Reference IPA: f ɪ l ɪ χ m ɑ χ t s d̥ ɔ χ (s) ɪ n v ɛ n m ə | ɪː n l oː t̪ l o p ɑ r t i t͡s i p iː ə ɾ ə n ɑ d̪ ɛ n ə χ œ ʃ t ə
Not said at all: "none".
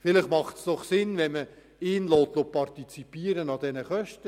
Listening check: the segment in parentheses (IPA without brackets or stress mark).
s